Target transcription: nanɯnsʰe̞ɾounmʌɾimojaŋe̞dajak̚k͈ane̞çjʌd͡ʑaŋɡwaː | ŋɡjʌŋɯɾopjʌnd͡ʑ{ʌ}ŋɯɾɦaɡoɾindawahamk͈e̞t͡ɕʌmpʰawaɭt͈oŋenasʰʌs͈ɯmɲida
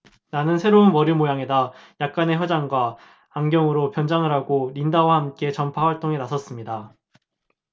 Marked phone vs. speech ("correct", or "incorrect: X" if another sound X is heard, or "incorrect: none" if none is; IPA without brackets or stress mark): incorrect: a